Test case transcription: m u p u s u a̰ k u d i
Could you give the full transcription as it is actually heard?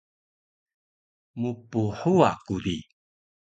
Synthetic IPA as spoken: m u p u ħ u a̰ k u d i